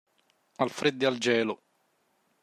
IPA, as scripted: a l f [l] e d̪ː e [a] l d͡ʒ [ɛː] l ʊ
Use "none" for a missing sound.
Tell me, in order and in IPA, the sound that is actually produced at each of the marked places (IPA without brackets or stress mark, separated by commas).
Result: ɾ, a, ɛː